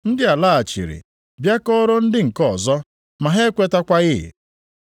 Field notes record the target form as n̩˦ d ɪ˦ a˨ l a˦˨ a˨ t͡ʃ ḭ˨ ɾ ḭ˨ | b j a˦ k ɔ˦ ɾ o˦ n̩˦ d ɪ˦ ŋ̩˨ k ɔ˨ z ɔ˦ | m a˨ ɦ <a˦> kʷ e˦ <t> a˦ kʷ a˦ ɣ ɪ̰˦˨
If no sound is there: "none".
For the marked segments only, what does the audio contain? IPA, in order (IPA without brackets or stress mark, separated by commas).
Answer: e˦, t